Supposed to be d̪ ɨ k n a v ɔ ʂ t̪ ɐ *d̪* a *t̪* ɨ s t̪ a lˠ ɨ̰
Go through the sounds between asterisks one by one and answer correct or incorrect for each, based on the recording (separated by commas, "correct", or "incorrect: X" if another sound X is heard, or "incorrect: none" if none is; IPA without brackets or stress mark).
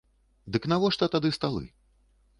incorrect: t̪, incorrect: d̪